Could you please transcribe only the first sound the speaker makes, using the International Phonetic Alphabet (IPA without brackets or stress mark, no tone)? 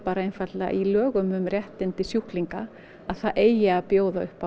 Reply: p